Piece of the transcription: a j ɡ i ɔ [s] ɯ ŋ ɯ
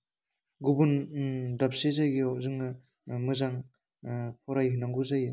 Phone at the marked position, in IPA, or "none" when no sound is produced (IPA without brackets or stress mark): z